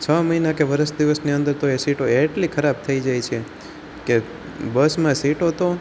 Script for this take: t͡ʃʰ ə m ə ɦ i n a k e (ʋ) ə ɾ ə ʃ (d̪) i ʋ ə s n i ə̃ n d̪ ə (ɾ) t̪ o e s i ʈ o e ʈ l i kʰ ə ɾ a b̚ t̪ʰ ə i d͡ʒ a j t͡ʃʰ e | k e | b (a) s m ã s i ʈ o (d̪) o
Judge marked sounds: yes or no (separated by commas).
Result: yes, yes, yes, no, no